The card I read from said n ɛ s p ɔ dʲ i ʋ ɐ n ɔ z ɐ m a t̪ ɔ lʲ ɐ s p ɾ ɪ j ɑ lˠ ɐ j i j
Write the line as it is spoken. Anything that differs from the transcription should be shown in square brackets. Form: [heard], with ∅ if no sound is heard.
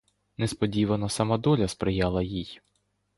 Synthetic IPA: n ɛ s p ɔ dʲ i ʋ ɐ n ɔ [s] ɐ m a [d̪] ɔ lʲ ɐ s p ɾ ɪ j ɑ lˠ ɐ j i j